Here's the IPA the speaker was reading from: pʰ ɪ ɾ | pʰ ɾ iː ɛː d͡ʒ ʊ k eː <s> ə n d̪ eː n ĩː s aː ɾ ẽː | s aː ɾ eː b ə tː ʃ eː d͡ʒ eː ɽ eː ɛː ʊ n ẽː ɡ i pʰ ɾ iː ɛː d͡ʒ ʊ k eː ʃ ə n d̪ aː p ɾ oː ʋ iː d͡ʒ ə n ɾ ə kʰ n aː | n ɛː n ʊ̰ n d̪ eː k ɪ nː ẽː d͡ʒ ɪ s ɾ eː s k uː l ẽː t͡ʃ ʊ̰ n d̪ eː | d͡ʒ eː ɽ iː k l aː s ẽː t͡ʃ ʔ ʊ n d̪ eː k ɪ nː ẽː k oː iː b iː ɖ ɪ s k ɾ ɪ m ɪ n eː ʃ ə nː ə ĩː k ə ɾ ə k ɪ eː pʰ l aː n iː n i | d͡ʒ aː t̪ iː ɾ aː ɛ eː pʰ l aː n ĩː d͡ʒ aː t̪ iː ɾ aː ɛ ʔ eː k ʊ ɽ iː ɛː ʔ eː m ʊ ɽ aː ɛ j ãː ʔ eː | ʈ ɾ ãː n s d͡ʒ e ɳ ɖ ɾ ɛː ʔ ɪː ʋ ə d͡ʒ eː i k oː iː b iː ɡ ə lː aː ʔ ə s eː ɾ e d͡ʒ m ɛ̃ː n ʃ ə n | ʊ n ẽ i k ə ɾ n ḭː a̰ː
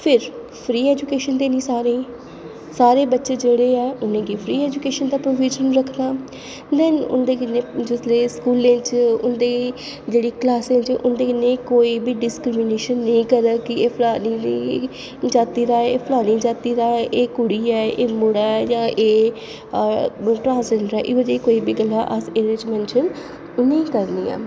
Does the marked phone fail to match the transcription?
yes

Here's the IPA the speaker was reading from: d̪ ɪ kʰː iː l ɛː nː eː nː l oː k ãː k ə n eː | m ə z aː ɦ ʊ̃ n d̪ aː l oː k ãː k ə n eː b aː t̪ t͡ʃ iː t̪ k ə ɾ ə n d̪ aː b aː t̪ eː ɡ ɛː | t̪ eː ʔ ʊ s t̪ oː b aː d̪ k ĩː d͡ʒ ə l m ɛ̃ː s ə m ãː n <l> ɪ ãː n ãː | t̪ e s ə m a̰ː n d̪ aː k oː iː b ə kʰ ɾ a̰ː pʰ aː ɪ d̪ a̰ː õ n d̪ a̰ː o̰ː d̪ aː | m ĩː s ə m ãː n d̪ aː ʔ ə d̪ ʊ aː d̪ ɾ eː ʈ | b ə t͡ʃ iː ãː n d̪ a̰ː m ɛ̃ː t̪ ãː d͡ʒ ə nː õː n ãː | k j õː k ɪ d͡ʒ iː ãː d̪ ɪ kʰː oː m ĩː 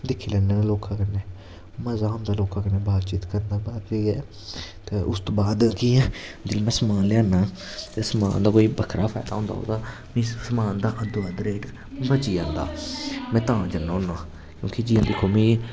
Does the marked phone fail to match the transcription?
no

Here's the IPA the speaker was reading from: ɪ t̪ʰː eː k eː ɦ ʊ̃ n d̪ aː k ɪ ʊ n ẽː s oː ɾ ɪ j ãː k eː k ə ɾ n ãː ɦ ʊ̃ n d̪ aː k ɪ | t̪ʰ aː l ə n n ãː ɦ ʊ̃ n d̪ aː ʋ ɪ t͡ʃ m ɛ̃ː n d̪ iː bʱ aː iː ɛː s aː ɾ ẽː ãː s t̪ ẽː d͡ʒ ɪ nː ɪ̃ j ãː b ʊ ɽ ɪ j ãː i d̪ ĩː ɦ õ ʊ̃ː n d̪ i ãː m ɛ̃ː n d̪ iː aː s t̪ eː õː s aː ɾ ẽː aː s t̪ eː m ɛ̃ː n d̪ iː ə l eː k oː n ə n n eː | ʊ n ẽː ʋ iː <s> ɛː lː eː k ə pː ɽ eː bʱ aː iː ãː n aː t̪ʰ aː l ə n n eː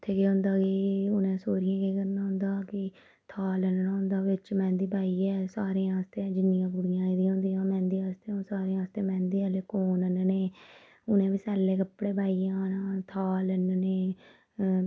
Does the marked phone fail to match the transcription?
no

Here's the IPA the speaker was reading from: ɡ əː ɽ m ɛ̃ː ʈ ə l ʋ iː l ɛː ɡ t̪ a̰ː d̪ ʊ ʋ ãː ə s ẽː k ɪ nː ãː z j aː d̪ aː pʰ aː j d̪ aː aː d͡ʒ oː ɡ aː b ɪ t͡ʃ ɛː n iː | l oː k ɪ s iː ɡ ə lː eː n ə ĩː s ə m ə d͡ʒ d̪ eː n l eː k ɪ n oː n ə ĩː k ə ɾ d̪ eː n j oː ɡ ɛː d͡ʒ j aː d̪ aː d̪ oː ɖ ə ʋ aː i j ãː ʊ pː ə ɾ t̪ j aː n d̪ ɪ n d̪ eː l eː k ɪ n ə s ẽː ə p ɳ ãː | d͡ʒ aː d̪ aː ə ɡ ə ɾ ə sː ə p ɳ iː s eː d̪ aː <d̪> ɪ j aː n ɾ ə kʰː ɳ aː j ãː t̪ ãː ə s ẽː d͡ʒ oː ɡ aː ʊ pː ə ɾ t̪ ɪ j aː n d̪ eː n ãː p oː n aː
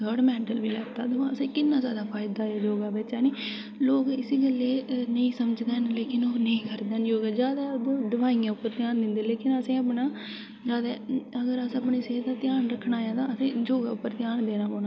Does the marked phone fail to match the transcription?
yes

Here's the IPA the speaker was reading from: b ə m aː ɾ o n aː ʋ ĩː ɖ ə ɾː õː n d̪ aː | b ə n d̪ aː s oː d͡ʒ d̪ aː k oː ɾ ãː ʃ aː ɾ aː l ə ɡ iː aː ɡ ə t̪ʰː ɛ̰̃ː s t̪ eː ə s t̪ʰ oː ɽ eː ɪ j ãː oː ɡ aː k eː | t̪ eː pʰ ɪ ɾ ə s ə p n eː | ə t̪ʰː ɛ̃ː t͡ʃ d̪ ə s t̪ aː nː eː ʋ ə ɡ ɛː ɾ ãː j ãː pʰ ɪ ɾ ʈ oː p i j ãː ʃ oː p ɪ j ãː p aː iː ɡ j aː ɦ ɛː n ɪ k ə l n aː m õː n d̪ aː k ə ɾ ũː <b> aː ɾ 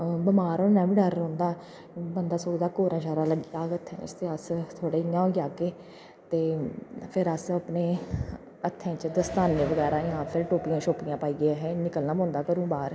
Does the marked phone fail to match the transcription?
no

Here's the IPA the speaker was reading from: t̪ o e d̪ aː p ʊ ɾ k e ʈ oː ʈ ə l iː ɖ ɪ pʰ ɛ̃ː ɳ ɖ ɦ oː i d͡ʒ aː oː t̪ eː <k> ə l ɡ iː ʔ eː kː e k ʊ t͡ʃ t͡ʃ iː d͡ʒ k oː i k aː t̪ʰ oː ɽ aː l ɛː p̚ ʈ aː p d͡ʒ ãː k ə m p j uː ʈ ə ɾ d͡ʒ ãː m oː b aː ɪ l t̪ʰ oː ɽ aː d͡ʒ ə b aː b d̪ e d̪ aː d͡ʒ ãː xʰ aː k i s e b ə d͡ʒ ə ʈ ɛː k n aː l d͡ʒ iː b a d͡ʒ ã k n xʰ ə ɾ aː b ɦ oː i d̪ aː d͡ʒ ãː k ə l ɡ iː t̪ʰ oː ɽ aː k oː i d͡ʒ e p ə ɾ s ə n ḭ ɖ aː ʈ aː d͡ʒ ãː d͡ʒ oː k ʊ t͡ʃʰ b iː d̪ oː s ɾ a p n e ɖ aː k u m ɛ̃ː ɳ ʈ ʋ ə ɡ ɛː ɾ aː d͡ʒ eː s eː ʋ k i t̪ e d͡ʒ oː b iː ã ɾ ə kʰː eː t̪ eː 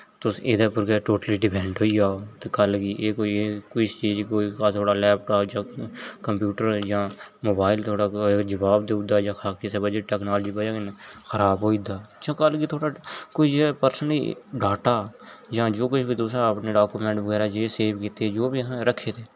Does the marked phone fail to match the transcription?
no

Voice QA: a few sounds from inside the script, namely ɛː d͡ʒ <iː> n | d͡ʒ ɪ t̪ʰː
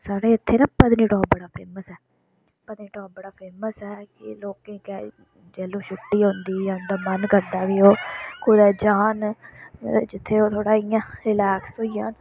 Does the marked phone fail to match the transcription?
yes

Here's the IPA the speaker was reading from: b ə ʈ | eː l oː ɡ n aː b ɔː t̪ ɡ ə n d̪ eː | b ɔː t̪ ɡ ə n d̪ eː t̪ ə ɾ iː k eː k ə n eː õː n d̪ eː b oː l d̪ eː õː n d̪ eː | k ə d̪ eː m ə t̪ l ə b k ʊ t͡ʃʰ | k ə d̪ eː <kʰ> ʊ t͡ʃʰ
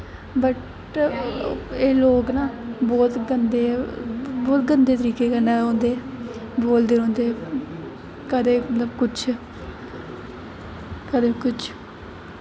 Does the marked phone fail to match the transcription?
yes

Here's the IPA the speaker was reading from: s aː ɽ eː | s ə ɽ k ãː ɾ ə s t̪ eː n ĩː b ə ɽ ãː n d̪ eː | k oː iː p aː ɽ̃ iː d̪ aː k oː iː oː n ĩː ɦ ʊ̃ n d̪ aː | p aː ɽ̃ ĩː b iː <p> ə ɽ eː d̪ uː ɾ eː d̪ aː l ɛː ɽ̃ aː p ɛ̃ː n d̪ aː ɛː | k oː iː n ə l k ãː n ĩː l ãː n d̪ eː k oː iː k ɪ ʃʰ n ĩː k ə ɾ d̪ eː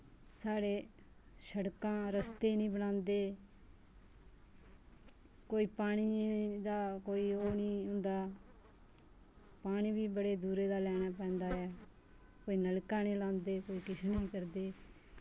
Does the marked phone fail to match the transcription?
yes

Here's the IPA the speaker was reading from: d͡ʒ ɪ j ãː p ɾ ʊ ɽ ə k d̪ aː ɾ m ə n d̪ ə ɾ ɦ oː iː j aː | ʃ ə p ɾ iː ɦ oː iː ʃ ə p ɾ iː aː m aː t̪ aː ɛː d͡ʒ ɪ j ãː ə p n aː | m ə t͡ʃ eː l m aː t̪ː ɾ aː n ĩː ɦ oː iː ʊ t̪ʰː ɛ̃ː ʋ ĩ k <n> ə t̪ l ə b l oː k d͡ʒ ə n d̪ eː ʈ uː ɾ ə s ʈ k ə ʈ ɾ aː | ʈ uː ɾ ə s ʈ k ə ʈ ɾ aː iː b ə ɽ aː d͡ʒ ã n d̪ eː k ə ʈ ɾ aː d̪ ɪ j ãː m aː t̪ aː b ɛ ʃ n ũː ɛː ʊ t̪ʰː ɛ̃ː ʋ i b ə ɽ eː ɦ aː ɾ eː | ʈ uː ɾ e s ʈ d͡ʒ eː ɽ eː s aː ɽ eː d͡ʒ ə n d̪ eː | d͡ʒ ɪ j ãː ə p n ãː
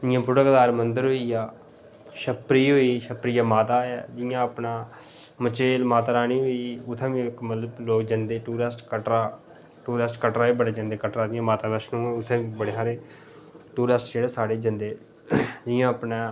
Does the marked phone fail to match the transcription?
yes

